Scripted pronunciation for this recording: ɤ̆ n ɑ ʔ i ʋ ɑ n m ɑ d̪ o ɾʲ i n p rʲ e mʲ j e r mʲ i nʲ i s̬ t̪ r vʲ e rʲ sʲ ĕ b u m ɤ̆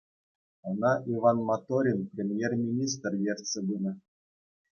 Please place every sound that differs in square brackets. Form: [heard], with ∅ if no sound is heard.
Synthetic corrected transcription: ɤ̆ n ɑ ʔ i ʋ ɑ n m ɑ [t̪] o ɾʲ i n p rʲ e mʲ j e r mʲ i nʲ i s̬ t̪ r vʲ e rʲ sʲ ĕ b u [n] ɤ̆